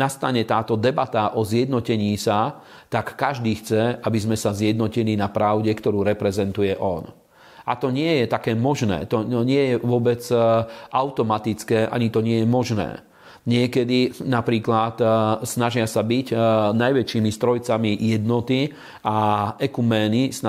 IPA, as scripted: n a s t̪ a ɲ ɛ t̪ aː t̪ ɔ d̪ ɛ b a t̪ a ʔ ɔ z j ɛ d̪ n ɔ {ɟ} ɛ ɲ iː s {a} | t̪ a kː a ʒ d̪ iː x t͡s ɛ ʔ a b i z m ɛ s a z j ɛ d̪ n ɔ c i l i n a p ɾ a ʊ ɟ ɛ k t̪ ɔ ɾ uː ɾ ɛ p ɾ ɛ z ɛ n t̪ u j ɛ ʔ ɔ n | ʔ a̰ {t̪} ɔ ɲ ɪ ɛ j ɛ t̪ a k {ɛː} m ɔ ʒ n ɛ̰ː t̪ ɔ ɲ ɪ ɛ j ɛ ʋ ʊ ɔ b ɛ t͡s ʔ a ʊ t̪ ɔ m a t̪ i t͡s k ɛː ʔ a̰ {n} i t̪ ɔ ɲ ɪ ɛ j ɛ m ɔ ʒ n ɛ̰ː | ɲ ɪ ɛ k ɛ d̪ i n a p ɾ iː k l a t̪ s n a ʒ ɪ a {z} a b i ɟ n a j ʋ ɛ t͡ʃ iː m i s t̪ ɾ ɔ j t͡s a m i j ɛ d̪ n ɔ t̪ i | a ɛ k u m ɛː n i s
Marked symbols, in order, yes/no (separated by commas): no, yes, yes, yes, no, no